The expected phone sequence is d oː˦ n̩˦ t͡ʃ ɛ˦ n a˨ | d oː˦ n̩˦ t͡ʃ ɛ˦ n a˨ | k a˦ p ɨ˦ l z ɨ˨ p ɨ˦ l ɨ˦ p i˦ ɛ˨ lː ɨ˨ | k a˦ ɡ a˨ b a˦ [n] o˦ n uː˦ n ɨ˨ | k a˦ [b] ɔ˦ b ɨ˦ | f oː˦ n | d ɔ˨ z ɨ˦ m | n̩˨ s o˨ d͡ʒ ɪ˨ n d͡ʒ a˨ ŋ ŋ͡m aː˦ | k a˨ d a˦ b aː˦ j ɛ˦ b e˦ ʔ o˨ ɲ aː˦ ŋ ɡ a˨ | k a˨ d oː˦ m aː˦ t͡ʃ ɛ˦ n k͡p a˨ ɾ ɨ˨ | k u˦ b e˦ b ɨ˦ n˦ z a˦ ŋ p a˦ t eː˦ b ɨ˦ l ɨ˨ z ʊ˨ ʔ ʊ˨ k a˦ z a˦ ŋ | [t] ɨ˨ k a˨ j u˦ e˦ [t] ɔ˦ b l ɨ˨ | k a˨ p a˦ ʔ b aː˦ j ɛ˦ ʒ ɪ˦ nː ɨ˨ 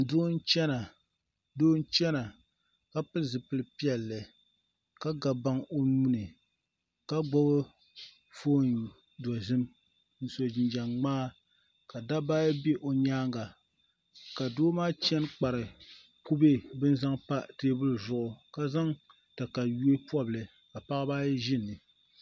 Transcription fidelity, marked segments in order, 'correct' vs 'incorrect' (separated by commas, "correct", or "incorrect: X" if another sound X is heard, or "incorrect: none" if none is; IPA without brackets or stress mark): incorrect: ŋ, incorrect: ɡ͡b, correct, incorrect: p